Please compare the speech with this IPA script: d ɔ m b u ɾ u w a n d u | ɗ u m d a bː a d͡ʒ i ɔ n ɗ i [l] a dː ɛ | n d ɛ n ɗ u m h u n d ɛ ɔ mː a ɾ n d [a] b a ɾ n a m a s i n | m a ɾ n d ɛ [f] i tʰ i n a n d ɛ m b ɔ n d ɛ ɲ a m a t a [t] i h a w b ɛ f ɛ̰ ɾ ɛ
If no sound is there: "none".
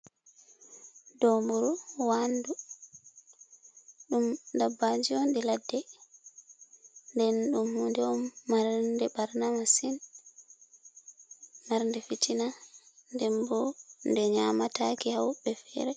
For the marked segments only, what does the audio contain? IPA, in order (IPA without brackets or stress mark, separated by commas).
l, ɛ, f, k